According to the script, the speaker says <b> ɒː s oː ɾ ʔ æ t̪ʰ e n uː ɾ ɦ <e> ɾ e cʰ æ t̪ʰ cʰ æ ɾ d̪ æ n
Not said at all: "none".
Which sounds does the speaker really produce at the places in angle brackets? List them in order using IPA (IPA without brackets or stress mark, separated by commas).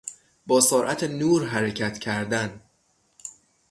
b, æ